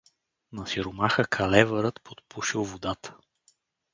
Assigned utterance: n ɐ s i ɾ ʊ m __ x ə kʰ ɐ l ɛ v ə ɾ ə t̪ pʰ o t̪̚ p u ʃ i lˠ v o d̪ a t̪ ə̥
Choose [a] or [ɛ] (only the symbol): a